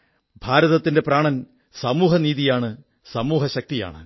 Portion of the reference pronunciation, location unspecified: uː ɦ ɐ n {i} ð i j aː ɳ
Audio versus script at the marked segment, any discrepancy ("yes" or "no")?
yes